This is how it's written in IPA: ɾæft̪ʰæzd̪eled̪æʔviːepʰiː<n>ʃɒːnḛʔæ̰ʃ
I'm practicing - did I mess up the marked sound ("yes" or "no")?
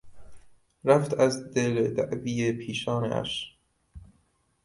yes